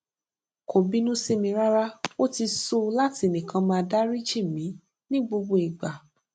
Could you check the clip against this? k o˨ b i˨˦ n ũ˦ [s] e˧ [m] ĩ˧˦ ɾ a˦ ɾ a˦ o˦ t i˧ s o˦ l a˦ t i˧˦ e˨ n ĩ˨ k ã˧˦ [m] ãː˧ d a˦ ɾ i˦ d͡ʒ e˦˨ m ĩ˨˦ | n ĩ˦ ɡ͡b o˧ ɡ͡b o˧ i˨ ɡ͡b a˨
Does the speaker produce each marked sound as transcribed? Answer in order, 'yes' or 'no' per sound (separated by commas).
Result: yes, yes, yes